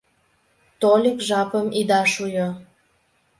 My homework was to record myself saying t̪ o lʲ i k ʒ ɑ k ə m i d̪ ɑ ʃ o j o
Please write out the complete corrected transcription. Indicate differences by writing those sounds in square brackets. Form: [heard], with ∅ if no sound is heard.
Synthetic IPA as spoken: t̪ o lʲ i k ʒ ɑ [p] ə m i d̪ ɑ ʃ [u] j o